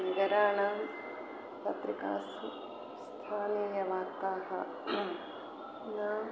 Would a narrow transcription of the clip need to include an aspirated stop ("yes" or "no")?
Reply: yes